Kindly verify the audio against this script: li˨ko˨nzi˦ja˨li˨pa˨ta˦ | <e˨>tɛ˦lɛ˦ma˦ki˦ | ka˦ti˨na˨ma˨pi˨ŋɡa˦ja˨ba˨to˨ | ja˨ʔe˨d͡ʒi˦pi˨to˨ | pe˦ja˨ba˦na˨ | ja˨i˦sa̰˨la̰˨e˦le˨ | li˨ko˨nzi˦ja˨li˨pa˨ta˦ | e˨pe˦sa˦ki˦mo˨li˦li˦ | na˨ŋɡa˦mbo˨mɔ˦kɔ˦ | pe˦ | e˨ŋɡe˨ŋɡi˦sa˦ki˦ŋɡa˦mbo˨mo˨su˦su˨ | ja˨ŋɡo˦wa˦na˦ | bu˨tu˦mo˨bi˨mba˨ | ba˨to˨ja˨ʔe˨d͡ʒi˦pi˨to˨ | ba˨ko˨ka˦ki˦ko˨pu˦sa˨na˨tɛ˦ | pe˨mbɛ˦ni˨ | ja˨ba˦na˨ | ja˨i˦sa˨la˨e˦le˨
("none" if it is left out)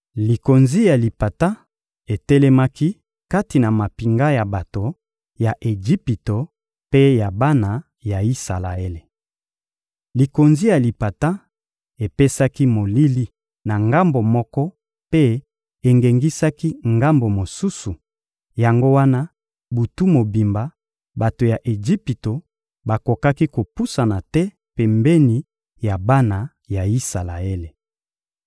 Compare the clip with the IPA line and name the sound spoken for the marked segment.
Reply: e˨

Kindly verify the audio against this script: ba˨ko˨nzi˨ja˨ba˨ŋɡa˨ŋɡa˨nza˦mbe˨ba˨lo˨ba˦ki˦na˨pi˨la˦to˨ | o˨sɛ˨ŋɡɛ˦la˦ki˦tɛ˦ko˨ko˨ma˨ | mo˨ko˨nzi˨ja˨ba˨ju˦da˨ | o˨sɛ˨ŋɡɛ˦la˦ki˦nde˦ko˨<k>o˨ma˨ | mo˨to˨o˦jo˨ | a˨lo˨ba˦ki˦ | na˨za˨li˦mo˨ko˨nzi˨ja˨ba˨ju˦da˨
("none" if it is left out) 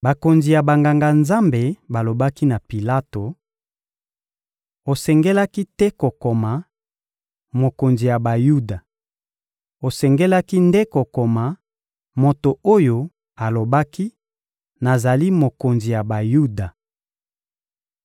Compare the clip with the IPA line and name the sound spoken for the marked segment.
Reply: k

